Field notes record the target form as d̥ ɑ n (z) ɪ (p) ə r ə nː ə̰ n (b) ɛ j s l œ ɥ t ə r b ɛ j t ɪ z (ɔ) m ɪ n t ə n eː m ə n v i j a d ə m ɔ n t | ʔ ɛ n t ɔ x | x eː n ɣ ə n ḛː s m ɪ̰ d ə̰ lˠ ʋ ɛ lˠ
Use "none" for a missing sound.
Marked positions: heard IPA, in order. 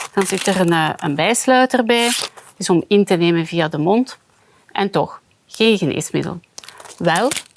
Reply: z, t, b, ɔ

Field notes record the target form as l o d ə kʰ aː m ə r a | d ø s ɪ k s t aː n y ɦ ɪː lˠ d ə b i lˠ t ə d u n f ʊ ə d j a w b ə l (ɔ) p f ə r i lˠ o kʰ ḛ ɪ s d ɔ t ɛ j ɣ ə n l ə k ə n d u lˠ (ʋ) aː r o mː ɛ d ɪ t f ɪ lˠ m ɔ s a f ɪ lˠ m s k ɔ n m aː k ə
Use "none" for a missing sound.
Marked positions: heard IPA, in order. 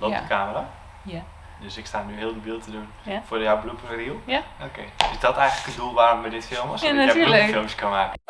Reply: u, ʋ

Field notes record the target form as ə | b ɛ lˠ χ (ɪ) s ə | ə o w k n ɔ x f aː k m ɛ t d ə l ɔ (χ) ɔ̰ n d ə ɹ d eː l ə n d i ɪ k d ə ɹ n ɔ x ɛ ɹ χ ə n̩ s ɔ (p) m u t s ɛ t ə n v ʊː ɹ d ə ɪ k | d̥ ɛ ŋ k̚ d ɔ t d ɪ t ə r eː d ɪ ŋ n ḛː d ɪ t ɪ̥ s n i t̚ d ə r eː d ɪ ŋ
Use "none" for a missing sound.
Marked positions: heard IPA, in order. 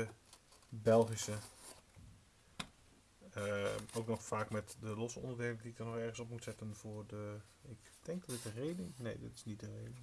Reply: i, s, p

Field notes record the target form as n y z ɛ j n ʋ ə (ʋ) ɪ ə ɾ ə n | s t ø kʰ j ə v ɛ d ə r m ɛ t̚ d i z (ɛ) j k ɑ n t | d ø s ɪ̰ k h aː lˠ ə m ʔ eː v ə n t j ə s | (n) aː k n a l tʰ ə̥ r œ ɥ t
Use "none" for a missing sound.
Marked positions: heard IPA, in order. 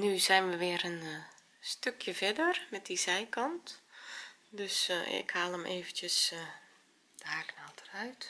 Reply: ʋ, ɛ, d

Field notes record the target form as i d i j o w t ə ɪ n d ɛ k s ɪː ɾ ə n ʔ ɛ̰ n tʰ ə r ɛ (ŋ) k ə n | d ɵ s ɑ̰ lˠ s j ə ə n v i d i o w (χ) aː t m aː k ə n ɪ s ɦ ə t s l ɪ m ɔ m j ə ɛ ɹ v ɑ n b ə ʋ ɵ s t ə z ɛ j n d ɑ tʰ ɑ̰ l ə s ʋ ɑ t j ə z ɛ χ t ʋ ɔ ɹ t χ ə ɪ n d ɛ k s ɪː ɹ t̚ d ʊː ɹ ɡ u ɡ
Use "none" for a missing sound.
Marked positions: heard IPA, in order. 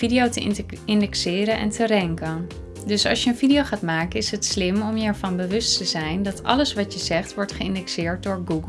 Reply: ŋ, χ

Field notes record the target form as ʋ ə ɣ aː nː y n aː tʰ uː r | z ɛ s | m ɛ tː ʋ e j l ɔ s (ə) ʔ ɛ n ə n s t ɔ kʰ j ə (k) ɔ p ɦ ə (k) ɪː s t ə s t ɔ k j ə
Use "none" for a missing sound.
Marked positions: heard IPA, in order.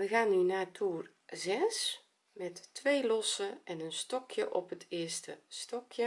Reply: ə, ʔ, t

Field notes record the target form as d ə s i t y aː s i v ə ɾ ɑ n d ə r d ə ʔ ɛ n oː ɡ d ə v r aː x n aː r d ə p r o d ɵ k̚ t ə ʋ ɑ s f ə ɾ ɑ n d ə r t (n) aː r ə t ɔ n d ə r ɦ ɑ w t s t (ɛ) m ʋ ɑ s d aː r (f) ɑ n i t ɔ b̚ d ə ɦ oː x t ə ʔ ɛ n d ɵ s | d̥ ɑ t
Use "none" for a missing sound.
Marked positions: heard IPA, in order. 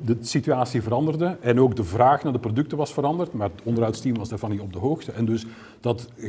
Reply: m, i, v

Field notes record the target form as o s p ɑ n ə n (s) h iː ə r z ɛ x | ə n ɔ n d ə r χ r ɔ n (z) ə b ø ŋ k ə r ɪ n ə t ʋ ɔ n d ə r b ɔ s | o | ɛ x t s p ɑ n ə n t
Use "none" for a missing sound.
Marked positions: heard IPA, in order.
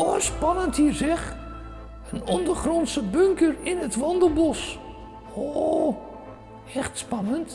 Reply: t, s

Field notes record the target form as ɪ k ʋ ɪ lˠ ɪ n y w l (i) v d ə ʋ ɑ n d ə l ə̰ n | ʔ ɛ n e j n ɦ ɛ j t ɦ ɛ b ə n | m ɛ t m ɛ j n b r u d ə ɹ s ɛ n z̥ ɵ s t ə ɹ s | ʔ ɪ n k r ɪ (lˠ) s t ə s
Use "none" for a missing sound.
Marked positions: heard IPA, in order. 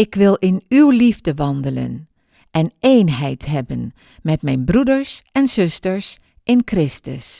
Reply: i, none

